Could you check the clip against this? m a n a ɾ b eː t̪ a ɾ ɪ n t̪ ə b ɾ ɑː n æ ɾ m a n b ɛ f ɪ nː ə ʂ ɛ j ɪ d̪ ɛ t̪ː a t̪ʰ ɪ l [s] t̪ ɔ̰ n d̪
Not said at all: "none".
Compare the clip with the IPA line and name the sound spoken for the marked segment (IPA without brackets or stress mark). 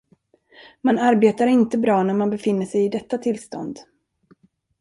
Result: s